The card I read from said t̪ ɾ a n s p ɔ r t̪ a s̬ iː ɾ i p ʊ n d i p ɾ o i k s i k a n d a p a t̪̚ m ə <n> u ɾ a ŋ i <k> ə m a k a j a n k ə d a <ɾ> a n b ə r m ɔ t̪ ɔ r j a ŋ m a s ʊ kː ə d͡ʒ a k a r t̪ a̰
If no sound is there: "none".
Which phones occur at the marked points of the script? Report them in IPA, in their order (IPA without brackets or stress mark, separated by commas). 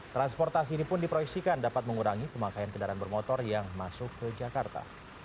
ŋ, p, ɾ